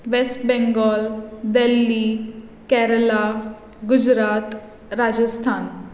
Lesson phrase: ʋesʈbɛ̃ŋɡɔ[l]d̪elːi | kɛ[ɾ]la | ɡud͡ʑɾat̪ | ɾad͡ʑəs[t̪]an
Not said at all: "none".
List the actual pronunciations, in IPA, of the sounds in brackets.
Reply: l, ɾ, t̪ʰ

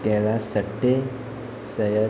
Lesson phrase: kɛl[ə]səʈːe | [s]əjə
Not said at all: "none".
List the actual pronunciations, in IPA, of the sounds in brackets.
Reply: a, s

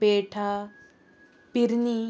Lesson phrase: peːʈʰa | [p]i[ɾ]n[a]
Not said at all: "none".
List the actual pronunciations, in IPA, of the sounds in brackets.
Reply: p, ɾ, i

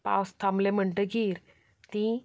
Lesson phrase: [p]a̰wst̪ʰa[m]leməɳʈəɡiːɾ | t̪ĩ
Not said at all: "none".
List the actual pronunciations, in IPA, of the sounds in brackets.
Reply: p, m

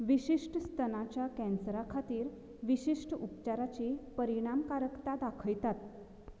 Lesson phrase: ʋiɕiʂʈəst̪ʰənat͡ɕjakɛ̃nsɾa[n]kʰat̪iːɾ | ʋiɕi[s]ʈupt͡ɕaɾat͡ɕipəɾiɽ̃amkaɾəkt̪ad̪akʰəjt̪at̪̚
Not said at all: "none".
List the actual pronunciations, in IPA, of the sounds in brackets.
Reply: none, ʂ

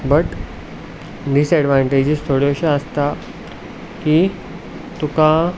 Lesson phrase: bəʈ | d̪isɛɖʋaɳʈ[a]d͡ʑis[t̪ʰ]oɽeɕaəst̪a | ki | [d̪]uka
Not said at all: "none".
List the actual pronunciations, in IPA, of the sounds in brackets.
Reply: e, t̪ʰ, t̪

